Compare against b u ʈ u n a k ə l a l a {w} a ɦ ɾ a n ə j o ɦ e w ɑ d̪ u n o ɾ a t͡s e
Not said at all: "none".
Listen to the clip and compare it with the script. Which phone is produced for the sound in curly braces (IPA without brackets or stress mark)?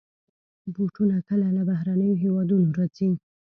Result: b